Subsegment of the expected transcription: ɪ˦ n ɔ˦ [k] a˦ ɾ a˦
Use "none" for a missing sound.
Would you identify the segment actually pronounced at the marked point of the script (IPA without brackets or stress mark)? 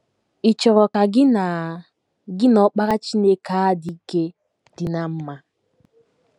k͡p